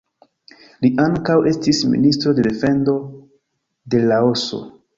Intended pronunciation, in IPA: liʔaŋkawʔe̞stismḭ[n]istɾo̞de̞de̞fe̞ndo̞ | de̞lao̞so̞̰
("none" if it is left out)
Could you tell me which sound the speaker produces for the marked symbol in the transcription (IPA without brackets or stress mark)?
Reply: n